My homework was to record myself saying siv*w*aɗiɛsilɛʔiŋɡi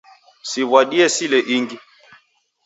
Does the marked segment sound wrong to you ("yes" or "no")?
no